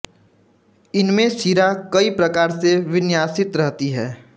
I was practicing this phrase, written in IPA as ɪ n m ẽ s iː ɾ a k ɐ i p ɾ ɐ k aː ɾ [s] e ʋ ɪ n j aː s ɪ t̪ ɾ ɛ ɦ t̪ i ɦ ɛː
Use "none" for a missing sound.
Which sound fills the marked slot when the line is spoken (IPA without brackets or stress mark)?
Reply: s